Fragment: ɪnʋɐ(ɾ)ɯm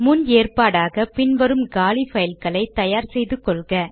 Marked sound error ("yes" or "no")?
no